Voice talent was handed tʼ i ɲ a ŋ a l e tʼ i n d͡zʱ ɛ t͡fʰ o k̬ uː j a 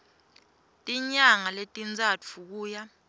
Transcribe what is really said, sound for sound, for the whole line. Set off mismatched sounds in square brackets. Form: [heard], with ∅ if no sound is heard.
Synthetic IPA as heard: tʼ i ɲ a ŋ a l e tʼ i n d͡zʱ [a] t͡fʰ [u] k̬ uː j a